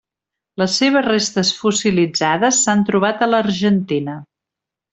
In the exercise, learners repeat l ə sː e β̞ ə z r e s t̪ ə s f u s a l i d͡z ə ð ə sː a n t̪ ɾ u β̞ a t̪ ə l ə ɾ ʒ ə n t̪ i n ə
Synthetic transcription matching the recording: l ə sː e β̞ ə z r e s t̪ ə s f u s i l i d͡z a ð ə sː a n t̪ ɾ u β̞ a t̪ ə l ə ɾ ʒ ə n t̪ i n ə

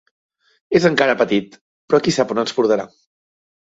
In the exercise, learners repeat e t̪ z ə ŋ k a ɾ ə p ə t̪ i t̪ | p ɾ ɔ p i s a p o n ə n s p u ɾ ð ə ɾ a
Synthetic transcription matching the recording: e z ə ŋ k a ɾ ə p ə t̪ i t̪ | p ɾ ɔ k i s a p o n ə n s p u ɾ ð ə ɾ a

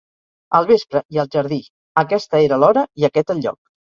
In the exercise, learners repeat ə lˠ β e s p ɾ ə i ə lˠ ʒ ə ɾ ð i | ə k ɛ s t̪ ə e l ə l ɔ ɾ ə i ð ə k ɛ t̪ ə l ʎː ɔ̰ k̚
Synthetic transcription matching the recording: ə lˠ β e s p ɾ ə i ə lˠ ʒ ə ɾ ð i | ə k ɛ s t̪ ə e ɾ ə l ɔ ɾ ə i ə k ɛ t̪ ə l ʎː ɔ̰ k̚

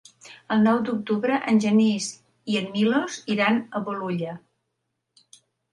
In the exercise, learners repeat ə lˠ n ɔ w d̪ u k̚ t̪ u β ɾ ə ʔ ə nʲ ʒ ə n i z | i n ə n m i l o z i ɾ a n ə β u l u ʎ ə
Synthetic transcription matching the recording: ə lˠ n ɔ w d̪ u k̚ t̪ u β ɾ ə ʔ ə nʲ ʒ ə n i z | i ə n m i l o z i ɾ a n ə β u l u ʎ ə

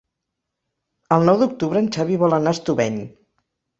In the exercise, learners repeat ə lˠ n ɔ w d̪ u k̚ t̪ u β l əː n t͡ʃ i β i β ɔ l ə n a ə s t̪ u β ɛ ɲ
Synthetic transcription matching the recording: ə lˠ n ɔ w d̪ u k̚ t̪ u β ɾ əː n t͡ʃ a β i β ɔ l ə n a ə s t̪ u β ɛ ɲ

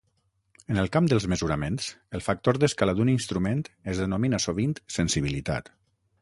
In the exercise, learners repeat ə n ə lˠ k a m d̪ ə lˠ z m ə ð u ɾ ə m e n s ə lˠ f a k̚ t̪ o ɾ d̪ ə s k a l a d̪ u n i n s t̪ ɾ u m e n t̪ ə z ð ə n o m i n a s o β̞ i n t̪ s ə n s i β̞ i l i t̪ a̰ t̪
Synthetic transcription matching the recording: ə n ə lˠ k a m d̪ ə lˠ z m ə z u ɾ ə m e n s ə lˠ f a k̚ t̪ o ɾ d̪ ə s k a l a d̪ u n i n s t̪ ɾ u m e n t̪ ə z ð ə n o m i n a s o β̞ i n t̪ s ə n s i β̞ i l i t̪ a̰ t̪

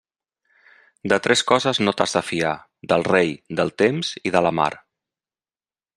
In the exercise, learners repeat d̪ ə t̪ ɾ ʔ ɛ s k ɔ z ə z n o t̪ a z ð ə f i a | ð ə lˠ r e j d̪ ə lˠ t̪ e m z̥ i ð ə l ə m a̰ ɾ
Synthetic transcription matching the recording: d̪ ə t̪ ɾ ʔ ɛ s k ɔ z ə z n o t̪ a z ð ə f i a | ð ə lˠ r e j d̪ ə lˠ t̪ e m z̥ i ð ə l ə m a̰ ɾ

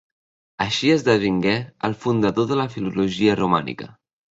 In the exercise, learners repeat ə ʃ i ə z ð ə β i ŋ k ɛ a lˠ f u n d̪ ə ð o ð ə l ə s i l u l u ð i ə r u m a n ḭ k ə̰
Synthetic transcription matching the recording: ə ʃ i ə z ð ə β i ŋ ɡ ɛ ə lˠ f u n d̪ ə ð o ð ə l ə f i l u l u ʒ i ə r u m a n ḭ k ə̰

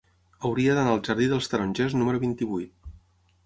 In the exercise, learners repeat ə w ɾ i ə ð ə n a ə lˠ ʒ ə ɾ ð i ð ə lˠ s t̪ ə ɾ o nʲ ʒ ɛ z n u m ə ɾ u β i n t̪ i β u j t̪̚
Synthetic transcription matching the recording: ə w ɾ i ə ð ə n a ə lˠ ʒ ə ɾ ð i ð ə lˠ s t̪ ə ɾ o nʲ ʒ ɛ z n u m ə ɾ u β i n t̪ i β u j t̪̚

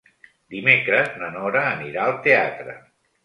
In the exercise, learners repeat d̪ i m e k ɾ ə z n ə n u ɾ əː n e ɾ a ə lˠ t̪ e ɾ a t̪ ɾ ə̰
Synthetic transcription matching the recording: d̪ i m e k ɾ ə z n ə n ɔ ɾ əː n i ɾ a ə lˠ t̪ e a t̪ ɾ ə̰

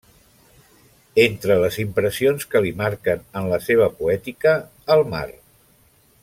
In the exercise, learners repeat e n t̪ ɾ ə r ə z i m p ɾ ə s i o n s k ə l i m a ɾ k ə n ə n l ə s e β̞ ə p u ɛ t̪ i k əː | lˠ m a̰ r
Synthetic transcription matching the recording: e n t̪ ɾ ə l ə z i m p ɾ ə s i o n s k ə l i m a ɾ k ə n ə n l ə s e β̞ ə p u ɛ t̪ i k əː | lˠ m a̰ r

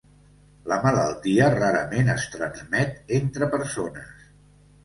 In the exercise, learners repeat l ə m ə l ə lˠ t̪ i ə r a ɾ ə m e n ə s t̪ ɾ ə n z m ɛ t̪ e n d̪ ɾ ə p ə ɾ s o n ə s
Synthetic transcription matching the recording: l ə m ə l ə lˠ t̪ i ə r a ɾ ə m e n ə s t̪ ɾ ə n z m ɛ t̪ e n t̪ ɾ ə p ə ɾ s o n ə s

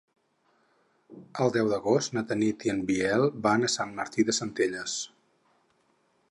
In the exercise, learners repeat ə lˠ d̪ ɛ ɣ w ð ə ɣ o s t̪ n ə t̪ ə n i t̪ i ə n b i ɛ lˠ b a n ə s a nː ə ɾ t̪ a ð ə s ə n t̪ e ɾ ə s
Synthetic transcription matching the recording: ə lˠ d̪ ɛ w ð ə ɣ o s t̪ n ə t̪ ə n i t̪ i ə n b i ɛ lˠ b a n ə s a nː ə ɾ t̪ i ð ə s ə n t̪ e ʎ ə s

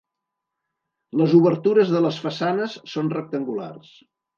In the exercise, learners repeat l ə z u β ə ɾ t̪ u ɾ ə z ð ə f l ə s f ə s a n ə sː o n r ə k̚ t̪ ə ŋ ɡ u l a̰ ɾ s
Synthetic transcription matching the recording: l ə z u β ə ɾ t̪ u ɾ ə z ð ə l ə s f ə s a n ə sː o n r ə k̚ t̪ ə ŋ ɡ u l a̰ r s

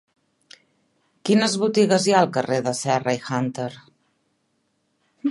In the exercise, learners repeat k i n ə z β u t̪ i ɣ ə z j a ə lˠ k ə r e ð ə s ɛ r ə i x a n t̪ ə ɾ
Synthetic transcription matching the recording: k i n ə z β u t̪ i ɣ ə z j a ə lˠ k ə r e ð ə s ɛ r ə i x a n t̪ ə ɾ

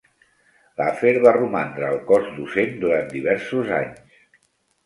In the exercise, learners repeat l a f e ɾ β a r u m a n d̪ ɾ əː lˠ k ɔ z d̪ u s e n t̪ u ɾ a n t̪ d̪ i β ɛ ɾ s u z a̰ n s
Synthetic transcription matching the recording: l a f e ɾ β a r u m a n d̪ ɾ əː lˠ k ɔ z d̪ u s e n d̪ u ɾ a n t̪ d̪ i β ɛ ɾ s u z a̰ ɲ s

